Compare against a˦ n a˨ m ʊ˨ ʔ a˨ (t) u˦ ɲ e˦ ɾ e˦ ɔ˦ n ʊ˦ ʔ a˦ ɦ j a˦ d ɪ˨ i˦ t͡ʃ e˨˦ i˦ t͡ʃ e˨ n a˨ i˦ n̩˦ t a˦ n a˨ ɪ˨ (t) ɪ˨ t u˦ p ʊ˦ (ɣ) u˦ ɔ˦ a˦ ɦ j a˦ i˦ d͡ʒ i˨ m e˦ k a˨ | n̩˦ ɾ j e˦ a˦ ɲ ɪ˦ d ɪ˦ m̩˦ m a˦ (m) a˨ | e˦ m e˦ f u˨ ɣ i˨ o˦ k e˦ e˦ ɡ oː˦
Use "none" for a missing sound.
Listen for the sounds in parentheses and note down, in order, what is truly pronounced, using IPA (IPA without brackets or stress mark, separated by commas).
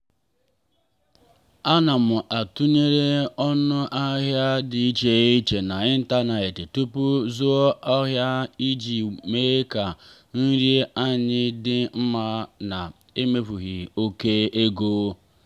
t, t, z, n